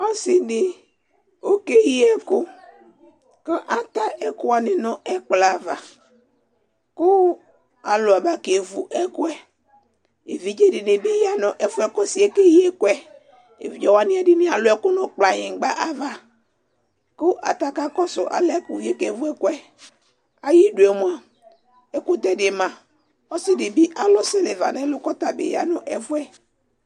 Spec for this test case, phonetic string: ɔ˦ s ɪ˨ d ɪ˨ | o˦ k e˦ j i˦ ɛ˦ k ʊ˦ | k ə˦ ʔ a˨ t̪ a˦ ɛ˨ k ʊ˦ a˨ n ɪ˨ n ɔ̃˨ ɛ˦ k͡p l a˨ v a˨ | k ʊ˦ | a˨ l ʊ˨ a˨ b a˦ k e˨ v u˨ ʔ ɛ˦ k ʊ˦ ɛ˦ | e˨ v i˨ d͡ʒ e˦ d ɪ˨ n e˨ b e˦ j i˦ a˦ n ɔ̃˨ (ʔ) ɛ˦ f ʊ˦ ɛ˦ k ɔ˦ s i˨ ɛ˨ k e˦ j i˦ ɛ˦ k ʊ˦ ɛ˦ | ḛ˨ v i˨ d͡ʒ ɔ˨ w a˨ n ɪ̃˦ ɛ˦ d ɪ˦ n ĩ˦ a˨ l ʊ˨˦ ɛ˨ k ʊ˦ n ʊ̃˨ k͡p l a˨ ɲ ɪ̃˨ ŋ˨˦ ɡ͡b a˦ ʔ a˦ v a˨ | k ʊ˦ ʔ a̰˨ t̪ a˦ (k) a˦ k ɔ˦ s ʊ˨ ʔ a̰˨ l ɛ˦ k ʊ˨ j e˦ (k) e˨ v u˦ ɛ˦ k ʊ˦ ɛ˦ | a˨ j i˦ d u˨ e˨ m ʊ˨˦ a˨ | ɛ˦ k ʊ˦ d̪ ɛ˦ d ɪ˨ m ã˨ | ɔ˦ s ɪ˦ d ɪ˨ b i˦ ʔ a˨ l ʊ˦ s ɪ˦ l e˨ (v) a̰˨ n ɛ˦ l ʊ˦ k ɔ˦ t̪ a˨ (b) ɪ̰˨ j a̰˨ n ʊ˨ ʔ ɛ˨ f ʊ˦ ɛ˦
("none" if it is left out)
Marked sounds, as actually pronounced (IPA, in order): ʔ, k, k, v, b

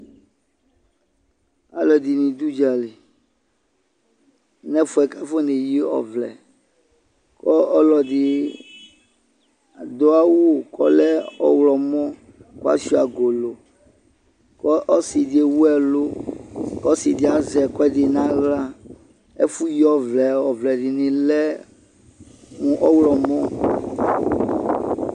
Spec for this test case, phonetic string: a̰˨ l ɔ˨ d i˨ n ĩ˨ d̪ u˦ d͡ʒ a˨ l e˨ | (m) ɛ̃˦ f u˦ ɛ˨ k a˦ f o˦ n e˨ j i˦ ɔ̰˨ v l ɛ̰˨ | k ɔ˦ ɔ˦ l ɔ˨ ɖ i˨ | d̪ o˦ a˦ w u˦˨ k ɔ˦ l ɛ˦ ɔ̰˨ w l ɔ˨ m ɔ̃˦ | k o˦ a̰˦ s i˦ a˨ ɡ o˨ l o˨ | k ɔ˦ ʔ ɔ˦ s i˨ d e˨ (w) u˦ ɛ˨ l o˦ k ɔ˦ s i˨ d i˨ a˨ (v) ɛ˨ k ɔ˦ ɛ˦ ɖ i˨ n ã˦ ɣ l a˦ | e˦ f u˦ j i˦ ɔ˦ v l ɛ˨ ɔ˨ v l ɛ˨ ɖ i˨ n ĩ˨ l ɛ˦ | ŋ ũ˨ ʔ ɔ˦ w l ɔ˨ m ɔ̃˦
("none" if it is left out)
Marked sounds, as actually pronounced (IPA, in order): n, w, z

